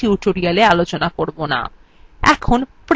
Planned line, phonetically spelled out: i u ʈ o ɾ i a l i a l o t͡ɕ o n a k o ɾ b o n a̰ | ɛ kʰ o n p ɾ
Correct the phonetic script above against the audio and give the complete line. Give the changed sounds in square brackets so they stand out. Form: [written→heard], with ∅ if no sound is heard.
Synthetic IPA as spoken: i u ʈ o ɾ i a l [i→e] a l o t͡ɕ o n a k o ɾ b o n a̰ | ɛ kʰ o n p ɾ